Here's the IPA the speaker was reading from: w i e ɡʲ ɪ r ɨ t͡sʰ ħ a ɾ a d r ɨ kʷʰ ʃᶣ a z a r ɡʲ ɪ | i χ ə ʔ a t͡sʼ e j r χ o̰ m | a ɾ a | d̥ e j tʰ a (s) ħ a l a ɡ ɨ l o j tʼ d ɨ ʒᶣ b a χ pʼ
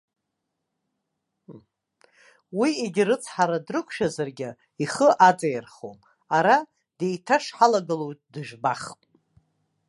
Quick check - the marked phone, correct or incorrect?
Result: incorrect: ʂ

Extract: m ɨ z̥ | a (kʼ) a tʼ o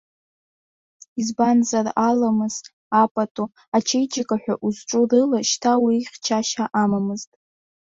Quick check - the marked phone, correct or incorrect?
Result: incorrect: pʼ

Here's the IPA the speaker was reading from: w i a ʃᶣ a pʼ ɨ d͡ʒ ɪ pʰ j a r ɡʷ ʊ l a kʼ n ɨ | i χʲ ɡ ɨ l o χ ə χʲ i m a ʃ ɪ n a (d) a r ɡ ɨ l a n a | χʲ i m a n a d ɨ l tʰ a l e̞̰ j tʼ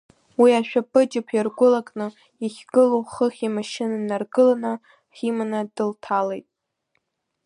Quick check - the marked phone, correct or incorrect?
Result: incorrect: n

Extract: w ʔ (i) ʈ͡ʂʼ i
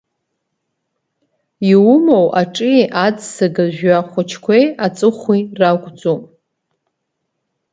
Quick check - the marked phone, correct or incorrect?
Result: incorrect: a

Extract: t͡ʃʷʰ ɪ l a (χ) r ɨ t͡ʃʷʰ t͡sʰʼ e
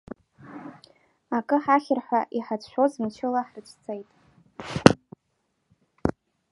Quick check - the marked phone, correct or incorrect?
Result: incorrect: ħ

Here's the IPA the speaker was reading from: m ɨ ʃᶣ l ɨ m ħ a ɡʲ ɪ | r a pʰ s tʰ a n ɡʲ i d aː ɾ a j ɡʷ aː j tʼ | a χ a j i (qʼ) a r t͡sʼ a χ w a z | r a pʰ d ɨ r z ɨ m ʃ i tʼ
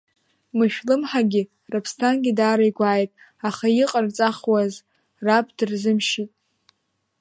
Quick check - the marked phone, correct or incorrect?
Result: correct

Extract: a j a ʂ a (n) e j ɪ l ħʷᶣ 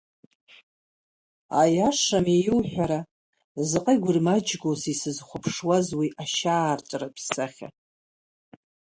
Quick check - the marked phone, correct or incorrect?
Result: incorrect: m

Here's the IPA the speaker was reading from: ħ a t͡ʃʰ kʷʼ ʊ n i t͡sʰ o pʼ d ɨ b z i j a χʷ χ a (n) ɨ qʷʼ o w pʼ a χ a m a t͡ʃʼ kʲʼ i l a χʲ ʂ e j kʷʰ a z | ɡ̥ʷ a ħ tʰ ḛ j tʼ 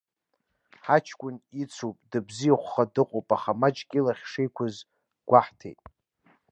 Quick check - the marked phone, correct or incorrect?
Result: incorrect: d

